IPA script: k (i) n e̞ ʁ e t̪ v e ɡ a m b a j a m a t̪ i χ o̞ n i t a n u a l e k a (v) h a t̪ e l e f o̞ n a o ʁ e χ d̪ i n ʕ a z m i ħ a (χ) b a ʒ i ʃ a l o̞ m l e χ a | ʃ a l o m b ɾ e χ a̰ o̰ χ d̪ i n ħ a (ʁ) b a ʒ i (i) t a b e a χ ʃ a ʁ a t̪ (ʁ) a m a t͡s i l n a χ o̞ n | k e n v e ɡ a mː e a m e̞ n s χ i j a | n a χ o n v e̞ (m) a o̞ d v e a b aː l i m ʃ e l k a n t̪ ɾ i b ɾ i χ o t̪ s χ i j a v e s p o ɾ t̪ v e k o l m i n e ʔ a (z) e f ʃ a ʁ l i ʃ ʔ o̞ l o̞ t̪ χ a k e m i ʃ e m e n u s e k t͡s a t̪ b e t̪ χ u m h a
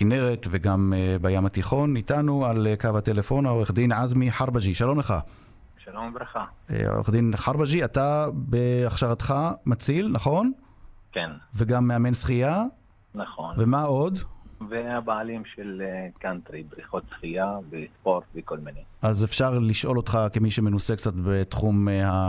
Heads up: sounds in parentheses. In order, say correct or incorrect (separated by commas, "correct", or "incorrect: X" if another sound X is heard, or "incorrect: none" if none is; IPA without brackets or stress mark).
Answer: correct, correct, incorrect: ʁ, correct, incorrect: a, incorrect: χ, correct, correct